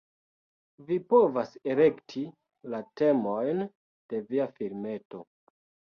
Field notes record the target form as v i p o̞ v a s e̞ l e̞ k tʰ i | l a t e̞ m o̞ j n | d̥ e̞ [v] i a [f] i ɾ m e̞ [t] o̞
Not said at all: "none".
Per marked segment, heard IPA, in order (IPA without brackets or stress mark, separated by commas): v, f, t